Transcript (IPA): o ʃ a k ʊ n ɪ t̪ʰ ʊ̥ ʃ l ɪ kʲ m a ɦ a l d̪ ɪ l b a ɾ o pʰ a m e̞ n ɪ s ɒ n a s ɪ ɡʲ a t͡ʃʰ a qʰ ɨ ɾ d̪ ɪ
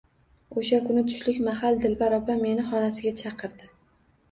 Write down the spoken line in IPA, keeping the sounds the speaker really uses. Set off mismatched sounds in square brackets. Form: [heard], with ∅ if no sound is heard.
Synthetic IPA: o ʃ a k ʊ n ɪ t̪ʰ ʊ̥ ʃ l ɪ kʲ m a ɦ a l d̪ ɪ l b a ɾ [ɒ] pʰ a m e̞ n ɪ [χ] ɒ n a s ɪ ɡʲ a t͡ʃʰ [ɑ] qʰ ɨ ɾ d̪ ɪ